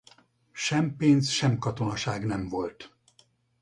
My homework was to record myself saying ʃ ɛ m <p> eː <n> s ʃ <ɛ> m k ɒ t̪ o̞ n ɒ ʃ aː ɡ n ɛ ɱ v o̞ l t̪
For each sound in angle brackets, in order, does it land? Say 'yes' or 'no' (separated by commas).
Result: yes, yes, yes